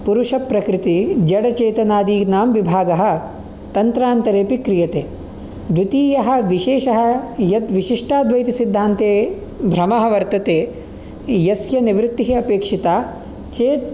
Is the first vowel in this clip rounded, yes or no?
yes